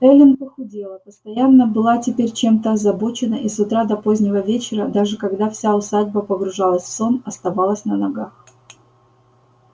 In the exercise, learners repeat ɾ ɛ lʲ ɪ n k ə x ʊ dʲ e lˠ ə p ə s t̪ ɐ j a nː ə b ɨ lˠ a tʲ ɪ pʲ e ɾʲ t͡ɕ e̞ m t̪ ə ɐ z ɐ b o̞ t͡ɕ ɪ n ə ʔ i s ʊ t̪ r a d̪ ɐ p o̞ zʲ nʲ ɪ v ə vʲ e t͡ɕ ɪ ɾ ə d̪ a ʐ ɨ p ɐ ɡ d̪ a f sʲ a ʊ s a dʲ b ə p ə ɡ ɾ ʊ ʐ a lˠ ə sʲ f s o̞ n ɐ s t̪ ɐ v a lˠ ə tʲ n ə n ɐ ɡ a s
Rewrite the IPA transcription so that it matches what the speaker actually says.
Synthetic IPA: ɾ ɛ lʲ ɪ n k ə x ʊ dʲ e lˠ ə p ə s t̪ ɐ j a nː ə b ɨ lˠ a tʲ ɪ pʲ e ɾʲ t͡ɕ e̞ m t̪ ə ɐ z ɐ b o̞ t͡ɕ ɪ n ə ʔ i s ʊ t̪ ɾ a d̪ ɐ p o̞ zʲ nʲ ɪ v ə vʲ e t͡ɕ ɪ ɾ ə d̪ a ʐ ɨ k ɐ ɡ d̪ a f sʲ a ʊ s a dʲ b ə p ə ɡ ɾ ʊ ʐ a lˠ ə sʲ f s o̞ n ɐ s t̪ ɐ v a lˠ ə sʲ n ə n ɐ ɡ a x